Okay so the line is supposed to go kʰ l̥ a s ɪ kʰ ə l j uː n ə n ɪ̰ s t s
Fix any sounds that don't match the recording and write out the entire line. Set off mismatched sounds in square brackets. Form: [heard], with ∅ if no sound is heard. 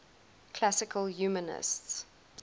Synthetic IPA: kʰ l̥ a s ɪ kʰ ə l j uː [m] ə n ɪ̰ s t s